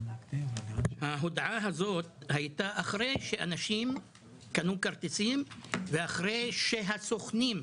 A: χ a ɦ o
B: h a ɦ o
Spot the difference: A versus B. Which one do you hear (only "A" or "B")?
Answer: B